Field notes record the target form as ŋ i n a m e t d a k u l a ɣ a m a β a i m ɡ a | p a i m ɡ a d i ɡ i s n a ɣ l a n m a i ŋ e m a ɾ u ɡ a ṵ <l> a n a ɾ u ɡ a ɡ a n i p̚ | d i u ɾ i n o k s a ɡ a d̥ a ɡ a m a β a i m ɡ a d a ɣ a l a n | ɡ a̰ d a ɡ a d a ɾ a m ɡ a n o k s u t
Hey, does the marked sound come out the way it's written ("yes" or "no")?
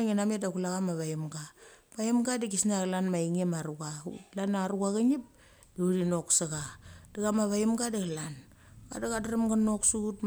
yes